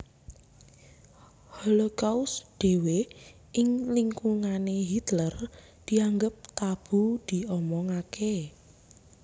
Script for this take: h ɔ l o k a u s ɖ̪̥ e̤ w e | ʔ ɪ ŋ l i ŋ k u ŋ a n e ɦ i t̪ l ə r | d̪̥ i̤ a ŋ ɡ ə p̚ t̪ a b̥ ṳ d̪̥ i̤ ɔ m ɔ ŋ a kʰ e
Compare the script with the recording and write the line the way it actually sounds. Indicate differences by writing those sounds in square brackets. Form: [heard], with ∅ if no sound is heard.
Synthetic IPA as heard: h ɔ l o k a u s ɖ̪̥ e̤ w e | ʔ ɪ ŋ l i ŋ k u ŋ a n e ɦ i t̪ l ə r | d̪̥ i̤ a ŋ ɡ ə p̚ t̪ a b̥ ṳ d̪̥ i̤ ɔ m ɔ ŋ a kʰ e